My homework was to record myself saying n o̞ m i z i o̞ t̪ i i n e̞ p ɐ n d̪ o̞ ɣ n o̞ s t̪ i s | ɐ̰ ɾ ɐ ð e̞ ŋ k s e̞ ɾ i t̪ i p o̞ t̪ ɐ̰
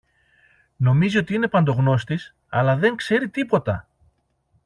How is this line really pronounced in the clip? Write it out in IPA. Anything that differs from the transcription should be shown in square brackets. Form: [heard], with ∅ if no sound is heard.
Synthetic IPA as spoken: n o̞ m i z i o̞ t̪ i i n e̞ p ɐ n d̪ o̞ ɣ n o̞ s t̪ i s | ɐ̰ [l] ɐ ð e̞ ŋ k s e̞ ɾ i t̪ i p o̞ t̪ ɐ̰